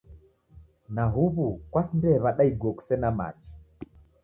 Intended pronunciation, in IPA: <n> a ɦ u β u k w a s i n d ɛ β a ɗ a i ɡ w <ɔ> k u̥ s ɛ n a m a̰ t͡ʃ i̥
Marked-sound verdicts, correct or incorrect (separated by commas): correct, correct